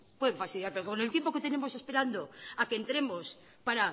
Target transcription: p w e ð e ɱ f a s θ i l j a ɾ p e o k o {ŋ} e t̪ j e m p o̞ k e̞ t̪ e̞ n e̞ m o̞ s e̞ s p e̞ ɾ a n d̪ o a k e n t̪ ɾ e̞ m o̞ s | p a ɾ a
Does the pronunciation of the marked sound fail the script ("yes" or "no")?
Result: yes